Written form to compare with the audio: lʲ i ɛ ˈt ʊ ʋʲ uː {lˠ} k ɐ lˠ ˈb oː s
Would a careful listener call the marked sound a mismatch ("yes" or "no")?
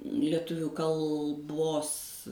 yes